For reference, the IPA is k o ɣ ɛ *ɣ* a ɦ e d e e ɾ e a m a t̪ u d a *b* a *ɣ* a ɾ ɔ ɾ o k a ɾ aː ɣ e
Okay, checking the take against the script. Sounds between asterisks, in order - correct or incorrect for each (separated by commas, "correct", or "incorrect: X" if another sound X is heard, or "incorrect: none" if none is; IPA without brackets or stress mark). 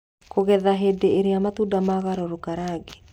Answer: incorrect: ð, incorrect: m, correct